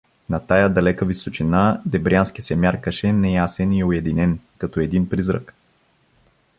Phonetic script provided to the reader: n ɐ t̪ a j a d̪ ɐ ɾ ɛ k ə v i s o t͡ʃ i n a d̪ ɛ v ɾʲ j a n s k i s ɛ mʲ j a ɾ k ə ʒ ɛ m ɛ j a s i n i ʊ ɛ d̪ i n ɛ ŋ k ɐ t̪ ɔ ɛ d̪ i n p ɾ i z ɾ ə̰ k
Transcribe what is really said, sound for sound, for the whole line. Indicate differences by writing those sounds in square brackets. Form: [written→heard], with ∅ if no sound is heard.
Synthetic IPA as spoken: n ɐ t̪ a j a d̪ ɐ [ɾ→l] ɛ k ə v i s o t͡ʃ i n a d̪ ɛ [v→b] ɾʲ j a n s k i s ɛ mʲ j a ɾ k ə [ʒ→ʃ] ɛ [m→n] ɛ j a s [i→ɛ] n i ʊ ɛ d̪ i n ɛ [ŋ→n] k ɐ t̪ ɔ ɛ d̪ i n p ɾ i z ɾ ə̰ k